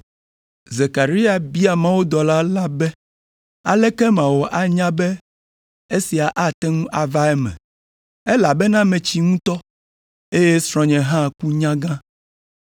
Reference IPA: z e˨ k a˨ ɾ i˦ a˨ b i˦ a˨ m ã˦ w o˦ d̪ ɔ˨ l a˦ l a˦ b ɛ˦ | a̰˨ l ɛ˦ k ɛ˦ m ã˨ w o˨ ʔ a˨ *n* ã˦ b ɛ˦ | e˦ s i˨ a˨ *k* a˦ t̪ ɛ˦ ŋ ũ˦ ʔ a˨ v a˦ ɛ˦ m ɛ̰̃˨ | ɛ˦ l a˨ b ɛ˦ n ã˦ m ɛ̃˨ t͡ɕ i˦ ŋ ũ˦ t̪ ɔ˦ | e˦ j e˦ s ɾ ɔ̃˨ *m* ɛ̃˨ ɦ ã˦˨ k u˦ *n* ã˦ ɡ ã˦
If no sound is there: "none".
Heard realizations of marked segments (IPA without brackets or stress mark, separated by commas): ɲ, ʔ, ɲ, ɲ